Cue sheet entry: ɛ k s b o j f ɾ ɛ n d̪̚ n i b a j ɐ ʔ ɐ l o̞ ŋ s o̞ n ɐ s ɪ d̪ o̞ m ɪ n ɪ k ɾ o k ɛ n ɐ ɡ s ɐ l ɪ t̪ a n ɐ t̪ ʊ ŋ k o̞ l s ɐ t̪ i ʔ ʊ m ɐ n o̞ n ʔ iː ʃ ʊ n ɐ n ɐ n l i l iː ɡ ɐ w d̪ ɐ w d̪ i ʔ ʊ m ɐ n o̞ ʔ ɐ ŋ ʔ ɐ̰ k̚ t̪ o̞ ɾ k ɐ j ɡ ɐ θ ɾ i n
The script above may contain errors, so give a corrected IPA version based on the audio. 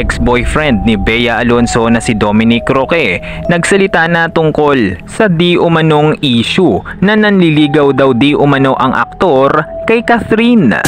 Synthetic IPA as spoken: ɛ k s b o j f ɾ ɛ n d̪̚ n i b ɛ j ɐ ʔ ɐ l o̞ n s o̞ n ɐ s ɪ d̪ o̞ m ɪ n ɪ k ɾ o k ɛ n ɐ ɡ s ɐ l ɪ t̪ a n ɐ t̪ ʊ ŋ k o̞ l s ɐ d̪ i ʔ ʊ m ɐ n o̞ ŋ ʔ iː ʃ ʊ n ɐ n ɐ n l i l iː ɡ ɐ w d̪ ɐ w d̪ i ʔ ʊ m ɐ n o̞ ʔ ɐ ŋ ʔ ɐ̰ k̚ t̪ o̞ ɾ k ɐ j k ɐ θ ɾ i n